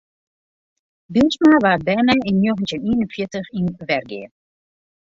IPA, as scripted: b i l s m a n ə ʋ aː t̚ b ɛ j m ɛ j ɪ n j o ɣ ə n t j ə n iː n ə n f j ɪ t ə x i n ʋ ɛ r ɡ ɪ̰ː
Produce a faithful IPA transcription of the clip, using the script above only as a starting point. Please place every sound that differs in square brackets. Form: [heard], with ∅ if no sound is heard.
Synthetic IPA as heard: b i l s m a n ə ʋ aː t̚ b ɛ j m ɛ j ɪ n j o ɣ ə n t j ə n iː n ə n f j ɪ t ə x i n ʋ ɛ r ɡ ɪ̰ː